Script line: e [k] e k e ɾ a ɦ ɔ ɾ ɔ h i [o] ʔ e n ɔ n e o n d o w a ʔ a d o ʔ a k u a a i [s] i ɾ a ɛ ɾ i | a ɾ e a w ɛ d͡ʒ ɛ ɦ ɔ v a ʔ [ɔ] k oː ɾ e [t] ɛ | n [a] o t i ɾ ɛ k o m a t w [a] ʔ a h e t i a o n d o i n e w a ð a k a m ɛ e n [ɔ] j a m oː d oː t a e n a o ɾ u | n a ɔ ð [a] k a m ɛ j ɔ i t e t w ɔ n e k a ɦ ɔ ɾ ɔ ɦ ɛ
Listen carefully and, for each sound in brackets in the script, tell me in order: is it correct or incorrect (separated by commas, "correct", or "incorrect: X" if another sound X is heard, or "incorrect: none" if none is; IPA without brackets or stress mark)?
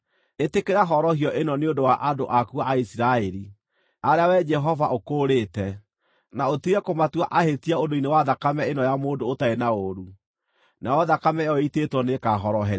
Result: incorrect: t, incorrect: ɔ, correct, incorrect: o, correct, correct, correct, correct, correct